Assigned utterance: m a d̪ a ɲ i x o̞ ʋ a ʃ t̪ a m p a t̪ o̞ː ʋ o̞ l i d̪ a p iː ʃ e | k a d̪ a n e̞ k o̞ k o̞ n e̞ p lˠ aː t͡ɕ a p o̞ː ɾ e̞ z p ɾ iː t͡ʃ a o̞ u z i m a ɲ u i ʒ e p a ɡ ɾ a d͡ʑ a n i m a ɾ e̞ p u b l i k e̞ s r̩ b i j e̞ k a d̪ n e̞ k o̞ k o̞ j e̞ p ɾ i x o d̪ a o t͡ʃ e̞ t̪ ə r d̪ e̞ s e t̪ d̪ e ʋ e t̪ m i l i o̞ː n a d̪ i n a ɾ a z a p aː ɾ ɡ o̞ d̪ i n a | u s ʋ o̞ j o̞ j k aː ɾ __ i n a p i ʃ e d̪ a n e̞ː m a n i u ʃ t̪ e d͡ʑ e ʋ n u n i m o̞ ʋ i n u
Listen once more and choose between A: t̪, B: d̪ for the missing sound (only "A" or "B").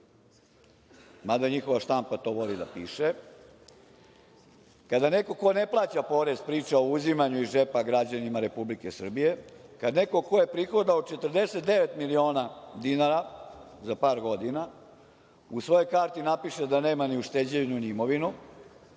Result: A